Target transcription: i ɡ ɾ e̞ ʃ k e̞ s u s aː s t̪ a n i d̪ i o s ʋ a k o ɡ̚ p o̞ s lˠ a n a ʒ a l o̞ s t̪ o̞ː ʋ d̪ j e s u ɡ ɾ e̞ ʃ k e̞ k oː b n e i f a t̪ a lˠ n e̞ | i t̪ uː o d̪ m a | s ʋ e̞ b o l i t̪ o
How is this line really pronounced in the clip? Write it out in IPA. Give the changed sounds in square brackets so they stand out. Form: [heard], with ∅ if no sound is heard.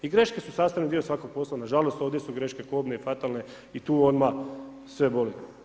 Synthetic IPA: i ɡ ɾ e̞ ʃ k e̞ s u s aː s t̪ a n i d̪ i o s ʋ a k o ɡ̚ p o̞ s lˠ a n a ʒ a l o̞ s t̪ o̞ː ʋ d̪ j e s u ɡ ɾ e̞ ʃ k e̞ k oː b n e i f a t̪ a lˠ n e̞ | i t̪ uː o d̪ m a | s ʋ e̞ b o l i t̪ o